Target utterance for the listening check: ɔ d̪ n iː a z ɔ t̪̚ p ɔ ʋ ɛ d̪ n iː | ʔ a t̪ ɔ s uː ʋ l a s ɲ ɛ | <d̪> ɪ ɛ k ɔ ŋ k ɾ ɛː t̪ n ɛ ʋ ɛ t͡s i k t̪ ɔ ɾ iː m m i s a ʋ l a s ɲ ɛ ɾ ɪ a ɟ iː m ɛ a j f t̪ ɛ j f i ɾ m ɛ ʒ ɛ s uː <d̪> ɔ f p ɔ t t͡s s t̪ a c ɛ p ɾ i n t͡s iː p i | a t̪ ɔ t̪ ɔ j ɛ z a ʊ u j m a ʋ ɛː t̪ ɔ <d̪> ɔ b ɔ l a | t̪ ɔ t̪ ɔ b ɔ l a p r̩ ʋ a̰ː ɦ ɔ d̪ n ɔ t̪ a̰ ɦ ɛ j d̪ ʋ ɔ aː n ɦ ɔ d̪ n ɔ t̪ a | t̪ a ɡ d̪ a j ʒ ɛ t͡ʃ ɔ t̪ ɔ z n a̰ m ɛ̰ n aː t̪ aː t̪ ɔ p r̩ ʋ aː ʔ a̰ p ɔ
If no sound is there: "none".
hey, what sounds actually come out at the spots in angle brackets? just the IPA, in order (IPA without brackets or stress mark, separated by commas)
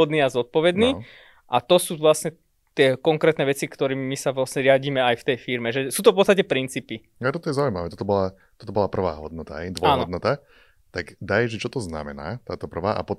t̪, t̪, t̪